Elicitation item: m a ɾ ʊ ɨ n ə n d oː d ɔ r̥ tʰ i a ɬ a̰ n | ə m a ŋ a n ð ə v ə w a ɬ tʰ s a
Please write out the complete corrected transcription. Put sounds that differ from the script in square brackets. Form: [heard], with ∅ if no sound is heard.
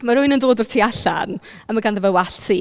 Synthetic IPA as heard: m a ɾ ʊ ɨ n ə n d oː d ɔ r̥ tʰ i a ɬ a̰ n | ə m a [ɡ] a n ð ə v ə w a ɬ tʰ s [i]